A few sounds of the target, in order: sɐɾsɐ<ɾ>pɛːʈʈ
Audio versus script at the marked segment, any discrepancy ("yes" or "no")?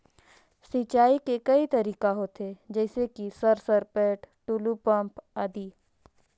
no